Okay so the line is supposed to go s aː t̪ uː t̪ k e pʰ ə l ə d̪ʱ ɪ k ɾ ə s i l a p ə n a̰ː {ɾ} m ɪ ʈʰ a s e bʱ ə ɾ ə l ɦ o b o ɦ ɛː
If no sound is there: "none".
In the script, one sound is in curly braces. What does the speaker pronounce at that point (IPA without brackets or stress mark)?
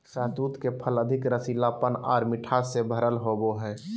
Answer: ɾ